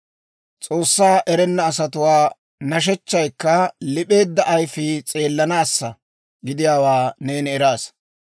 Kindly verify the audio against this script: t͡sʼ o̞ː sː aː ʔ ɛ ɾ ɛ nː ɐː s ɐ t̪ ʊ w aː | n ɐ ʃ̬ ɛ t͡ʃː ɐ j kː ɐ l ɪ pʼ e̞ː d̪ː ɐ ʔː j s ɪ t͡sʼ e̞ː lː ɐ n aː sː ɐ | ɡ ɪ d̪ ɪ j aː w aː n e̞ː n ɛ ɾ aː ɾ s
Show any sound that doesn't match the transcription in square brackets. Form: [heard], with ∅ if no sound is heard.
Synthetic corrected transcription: t͡sʼ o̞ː sː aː ʔ ɛ ɾ ɛ nː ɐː s ɐ t̪ ʊ w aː | n ɐ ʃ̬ ɛ t͡ʃː ɐ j kː ɐ l ɪ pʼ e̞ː d̪ː ɐ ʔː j [f] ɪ t͡sʼ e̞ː lː ɐ n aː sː ɐ | ɡ ɪ d̪ ɪ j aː w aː n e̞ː n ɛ ɾ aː [∅] s